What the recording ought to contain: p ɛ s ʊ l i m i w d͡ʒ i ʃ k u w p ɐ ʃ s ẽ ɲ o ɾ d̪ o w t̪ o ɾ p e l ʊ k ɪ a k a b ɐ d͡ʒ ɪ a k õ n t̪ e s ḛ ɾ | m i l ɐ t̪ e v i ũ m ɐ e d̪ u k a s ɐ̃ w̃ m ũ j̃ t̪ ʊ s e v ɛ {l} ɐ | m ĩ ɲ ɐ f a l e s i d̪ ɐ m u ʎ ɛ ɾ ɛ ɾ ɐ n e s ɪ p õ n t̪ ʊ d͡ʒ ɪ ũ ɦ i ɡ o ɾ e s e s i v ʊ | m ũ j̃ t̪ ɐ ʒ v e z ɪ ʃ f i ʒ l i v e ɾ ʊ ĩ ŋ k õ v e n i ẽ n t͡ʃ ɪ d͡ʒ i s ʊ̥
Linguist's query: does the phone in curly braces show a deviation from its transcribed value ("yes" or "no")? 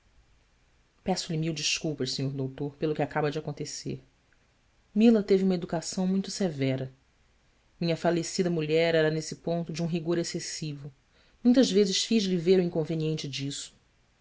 yes